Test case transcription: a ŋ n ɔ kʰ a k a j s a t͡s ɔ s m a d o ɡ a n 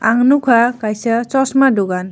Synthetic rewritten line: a ŋ n u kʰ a k a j s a t͡s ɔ s m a d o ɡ a n